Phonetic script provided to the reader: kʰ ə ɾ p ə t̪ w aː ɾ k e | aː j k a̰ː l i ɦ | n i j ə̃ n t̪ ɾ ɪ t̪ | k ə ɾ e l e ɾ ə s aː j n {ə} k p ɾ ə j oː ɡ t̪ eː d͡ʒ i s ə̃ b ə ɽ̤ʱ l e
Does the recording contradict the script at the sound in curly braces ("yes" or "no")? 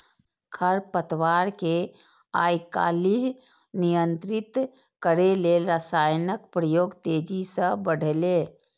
no